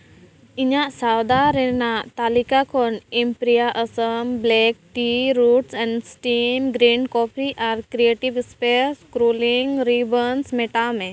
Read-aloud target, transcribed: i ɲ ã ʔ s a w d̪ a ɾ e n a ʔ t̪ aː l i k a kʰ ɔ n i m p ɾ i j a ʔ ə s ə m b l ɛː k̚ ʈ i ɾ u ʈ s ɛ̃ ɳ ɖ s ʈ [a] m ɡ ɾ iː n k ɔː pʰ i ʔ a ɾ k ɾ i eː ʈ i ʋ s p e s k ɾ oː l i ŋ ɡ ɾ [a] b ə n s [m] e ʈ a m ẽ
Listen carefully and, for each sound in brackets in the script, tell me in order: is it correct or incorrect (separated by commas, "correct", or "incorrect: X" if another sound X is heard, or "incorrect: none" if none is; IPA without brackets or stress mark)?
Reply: incorrect: i, incorrect: i, correct